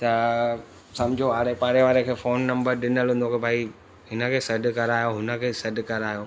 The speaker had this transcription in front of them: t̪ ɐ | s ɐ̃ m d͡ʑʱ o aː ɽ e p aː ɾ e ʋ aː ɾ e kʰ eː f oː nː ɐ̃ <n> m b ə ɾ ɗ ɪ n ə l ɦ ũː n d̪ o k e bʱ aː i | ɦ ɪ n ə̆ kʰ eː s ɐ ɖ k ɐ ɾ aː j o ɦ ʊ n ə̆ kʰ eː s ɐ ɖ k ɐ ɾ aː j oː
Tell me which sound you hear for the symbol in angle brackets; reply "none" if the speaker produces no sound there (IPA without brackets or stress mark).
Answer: none